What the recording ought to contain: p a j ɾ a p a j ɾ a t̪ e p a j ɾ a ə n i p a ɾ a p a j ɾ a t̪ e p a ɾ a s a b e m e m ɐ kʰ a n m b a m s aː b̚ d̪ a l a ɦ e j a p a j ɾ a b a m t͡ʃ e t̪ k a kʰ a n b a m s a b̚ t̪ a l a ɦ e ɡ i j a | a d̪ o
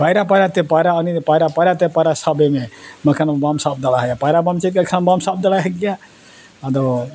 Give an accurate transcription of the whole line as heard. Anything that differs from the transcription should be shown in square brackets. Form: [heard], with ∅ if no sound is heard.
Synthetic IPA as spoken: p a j ɾ a p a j ɾ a t̪ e p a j ɾ a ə n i p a ɾ a p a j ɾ a t̪ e p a ɾ a s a b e m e m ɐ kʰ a n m b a m s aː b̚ d̪ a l a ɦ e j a p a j ɾ a b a m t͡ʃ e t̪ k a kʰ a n b a m s a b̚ [d̪] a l a ɦ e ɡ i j a | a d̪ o

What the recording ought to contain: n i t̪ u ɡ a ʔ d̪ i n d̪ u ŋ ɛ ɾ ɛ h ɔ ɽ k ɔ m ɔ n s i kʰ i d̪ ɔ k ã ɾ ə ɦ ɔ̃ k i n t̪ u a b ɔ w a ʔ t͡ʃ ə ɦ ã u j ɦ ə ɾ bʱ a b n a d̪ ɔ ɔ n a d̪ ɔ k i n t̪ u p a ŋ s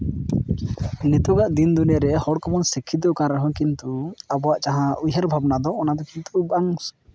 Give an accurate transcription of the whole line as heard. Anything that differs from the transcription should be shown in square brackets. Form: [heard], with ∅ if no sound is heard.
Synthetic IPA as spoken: n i t̪ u ɡ a ʔ d̪ i n d̪ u [n] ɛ ɾ ɛ h ɔ ɽ k ɔ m ɔ n s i kʰ i d̪ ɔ k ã ɾ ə ɦ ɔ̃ k i n t̪ u a b ɔ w a ʔ t͡ʃ [a] ɦ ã u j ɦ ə ɾ bʱ a b n a d̪ ɔ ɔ n a d̪ ɔ k i n t̪ u [b] a ŋ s

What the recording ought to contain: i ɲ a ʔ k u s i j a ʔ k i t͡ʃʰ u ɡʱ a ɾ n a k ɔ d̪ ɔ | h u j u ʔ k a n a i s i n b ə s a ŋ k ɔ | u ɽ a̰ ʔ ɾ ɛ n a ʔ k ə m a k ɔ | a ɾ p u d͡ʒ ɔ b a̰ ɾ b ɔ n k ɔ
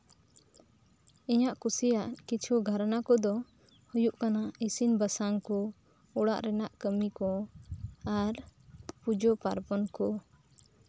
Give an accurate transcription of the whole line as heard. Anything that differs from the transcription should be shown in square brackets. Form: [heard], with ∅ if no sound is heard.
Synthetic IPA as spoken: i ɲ a ʔ k u s i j a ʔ k i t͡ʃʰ u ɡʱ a ɾ n a k ɔ d̪ ɔ | h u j u ʔ k a n a i s i n b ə s a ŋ k ɔ | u ɽ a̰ ʔ ɾ ɛ n a ʔ k ə m [i] k ɔ | a ɾ p u d͡ʒ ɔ [p] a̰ ɾ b ɔ n k ɔ

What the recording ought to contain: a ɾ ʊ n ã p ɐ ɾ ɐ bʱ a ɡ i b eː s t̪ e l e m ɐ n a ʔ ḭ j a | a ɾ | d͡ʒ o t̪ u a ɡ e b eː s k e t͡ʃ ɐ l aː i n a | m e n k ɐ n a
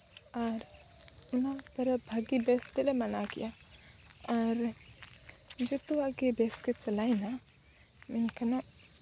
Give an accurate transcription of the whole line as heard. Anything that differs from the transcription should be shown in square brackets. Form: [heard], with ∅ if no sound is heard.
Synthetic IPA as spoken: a ɾ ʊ n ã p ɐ ɾ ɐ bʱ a ɡ i b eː s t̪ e l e m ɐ n a [k] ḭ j a | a ɾ | d͡ʒ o t̪ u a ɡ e b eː s k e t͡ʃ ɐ l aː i n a | m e n k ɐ n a

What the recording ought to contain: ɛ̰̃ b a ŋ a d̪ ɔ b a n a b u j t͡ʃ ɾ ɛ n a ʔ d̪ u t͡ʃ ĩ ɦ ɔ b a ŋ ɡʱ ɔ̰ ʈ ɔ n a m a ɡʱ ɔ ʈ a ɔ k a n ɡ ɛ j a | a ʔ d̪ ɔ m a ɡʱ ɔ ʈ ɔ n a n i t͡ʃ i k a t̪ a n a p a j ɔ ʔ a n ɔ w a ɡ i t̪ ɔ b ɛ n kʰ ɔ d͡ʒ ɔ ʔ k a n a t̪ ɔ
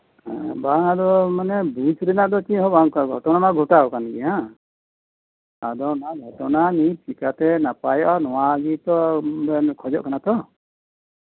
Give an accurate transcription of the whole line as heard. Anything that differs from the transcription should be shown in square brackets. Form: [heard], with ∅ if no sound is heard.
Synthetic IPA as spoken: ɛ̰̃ b a ŋ a d̪ ɔ [m] a n [ɛ] b u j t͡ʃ ɾ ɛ n a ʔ d̪ [ɔ] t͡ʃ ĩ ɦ ɔ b a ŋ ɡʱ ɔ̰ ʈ ɔ n a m a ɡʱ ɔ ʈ a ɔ k a n ɡ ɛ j a | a [∅] d̪ ɔ [n] a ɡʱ ɔ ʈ ɔ n a n i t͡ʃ i k a t̪ [ɛ] n a p a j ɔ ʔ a n ɔ w a ɡ i t̪ ɔ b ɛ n kʰ ɔ d͡ʒ ɔ ʔ k a n a t̪ ɔ

